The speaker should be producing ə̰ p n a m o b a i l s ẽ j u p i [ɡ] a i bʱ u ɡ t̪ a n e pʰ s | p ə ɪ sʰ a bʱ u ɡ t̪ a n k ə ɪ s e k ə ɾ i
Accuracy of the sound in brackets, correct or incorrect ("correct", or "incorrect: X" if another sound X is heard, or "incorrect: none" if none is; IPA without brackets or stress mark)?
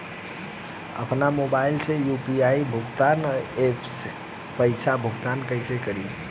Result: incorrect: none